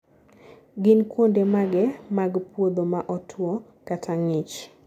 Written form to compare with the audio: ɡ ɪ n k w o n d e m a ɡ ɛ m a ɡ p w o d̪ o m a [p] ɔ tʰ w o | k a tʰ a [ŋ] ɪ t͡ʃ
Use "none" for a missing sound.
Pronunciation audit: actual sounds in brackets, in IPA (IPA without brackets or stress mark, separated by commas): ʔ, ŋ